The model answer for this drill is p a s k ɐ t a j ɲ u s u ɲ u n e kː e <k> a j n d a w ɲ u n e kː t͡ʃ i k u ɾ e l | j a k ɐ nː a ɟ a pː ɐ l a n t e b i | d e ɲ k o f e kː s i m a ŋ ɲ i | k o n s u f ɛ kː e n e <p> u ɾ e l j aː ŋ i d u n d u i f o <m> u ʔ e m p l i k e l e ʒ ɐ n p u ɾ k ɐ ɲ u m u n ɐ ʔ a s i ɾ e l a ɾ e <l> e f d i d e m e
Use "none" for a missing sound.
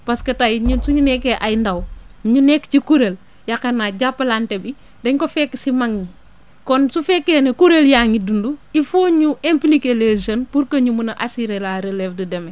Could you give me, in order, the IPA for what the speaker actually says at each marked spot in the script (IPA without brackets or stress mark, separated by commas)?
ʔ, k, ɲ, l